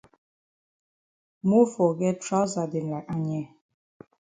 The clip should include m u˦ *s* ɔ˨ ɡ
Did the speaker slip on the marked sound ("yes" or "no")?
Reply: yes